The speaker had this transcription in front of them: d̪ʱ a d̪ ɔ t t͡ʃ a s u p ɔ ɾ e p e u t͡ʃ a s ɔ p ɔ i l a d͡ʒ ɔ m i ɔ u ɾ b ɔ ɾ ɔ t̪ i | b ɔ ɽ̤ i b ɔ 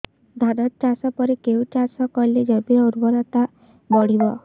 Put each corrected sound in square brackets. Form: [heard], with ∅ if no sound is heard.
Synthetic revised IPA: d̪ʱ a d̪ ɔ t t͡ʃ a s [ɔ] p ɔ ɾ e [k] e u t͡ʃ a s ɔ [k] ɔ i l [e] d͡ʒ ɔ [b] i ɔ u ɾ b ɔ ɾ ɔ t̪ [a] | b ɔ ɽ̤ i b ɔ